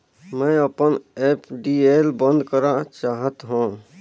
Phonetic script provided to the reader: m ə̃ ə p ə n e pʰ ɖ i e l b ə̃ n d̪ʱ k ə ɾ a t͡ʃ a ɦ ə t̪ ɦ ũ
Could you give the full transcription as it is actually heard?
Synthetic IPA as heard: m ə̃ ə p ə n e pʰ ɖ i e l b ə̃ n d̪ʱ k ə ɾ a t͡ʃ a ɦ ə t̪ ɦ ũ